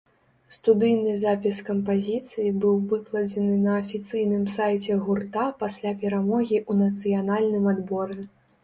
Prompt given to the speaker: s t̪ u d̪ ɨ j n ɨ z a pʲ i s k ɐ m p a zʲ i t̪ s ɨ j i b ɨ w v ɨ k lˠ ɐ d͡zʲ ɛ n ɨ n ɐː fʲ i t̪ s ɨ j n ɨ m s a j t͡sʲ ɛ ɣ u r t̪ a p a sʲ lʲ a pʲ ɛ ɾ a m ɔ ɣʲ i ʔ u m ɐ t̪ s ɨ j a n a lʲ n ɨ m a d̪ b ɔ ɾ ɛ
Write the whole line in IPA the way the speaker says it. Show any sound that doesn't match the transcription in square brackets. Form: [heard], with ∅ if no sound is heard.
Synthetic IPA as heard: s t̪ u d̪ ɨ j n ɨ z a pʲ i s k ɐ m p a zʲ i t̪ s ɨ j i b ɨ w v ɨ k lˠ ɐ d͡zʲ ɛ n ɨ n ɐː fʲ i t̪ s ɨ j n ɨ m s a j t͡sʲ ɛ ɣ u r t̪ a p a sʲ lʲ a pʲ ɛ ɾ a m ɔ ɣʲ i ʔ u [n] ɐ t̪ s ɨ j a n a lʲ n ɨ m a d̪ b ɔ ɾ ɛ